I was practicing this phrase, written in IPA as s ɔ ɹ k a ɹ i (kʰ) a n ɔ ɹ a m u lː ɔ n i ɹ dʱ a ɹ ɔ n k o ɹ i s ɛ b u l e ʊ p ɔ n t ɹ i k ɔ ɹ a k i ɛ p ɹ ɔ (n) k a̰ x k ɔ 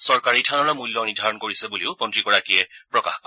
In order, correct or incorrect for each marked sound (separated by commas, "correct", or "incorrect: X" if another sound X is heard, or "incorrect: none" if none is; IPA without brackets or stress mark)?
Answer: incorrect: tʰ, incorrect: none